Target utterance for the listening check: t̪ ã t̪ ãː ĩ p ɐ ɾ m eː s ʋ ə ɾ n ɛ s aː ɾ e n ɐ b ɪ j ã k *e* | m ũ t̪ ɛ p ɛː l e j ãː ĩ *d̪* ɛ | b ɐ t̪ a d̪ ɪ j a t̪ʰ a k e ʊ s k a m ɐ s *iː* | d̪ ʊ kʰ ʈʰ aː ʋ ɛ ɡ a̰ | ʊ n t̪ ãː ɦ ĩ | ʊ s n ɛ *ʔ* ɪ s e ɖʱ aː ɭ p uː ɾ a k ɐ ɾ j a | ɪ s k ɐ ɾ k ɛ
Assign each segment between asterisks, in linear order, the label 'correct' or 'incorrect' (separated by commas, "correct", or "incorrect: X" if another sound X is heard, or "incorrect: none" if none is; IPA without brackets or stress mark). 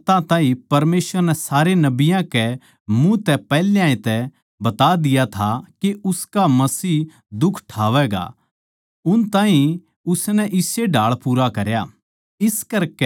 incorrect: ɛ, incorrect: t̪, correct, correct